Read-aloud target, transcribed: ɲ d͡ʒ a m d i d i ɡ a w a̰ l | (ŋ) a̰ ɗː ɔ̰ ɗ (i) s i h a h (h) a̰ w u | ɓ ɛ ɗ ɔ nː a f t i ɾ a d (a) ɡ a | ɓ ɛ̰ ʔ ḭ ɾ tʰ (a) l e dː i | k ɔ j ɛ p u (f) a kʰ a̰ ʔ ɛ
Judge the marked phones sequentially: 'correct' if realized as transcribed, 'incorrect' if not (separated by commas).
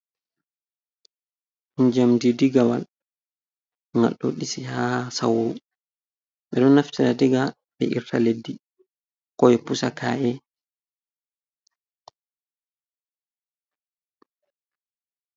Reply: correct, correct, incorrect, incorrect, correct, incorrect